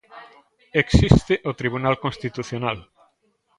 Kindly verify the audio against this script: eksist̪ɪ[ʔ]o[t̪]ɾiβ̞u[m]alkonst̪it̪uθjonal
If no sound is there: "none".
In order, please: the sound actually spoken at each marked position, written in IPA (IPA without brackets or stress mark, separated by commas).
ʔ, t̪, n